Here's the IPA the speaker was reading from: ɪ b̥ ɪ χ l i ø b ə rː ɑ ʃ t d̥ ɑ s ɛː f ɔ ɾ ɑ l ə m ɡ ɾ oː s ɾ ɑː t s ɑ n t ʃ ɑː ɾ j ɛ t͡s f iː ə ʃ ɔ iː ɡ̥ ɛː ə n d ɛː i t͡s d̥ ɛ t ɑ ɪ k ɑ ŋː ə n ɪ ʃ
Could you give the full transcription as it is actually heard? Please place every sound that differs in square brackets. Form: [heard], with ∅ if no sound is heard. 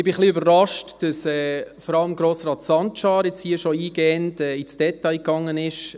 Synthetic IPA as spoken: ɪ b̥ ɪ χ l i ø b ə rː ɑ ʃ t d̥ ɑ s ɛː f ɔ ɾ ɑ l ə m ɡ ɾ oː s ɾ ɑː t s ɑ n t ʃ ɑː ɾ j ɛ t͡s [h] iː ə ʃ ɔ iː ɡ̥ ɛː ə n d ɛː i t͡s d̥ ɛ t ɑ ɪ k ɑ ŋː ə n ɪ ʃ